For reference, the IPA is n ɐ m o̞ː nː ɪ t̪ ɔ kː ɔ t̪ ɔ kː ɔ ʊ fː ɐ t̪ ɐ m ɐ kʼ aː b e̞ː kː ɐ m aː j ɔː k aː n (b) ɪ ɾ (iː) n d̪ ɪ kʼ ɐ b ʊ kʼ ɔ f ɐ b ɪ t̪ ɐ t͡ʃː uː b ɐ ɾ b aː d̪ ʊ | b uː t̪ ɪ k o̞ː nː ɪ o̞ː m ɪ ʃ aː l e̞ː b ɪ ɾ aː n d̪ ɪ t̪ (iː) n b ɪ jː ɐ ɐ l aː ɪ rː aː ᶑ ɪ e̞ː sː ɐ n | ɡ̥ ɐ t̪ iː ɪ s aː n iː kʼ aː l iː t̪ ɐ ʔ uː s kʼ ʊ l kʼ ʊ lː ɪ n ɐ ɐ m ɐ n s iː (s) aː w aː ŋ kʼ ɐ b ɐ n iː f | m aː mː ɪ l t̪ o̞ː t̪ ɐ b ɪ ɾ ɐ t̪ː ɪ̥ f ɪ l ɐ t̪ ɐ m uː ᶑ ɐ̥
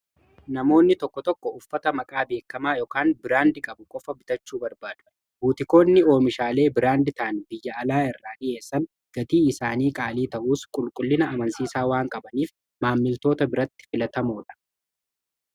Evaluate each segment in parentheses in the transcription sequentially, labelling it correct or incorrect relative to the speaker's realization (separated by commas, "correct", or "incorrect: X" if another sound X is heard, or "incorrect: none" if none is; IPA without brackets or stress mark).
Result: correct, incorrect: aː, incorrect: aː, correct